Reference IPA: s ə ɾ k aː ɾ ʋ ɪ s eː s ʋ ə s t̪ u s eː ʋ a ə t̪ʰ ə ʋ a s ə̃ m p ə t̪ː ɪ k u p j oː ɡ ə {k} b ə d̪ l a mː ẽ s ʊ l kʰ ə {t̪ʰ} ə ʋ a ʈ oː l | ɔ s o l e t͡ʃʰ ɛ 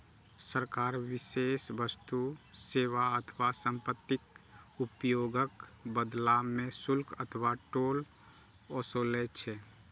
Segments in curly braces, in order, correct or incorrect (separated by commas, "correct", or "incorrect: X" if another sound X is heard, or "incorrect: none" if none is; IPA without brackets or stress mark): correct, correct